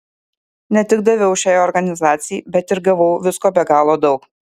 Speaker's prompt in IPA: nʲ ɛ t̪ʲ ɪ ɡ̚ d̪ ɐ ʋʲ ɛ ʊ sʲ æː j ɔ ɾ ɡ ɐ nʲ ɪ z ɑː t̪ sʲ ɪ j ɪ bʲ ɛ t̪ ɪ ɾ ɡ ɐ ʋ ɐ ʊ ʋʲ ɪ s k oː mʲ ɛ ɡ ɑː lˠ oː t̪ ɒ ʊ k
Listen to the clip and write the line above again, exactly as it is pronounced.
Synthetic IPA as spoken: nʲ ɛ t̪ʲ ɪ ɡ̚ d̪ ɐ ʋʲ ɛ ʊ ʃʲ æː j ɔ ɾ ɡ ɐ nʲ ɪ z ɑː t̪ sʲ ɪ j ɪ bʲ ɛ t̪ ɪ ɾ ɡ ɐ ʋ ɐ ʊ ʋʲ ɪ s k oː bʲ ɛ ɡ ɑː lˠ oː d̪ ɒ ʊ k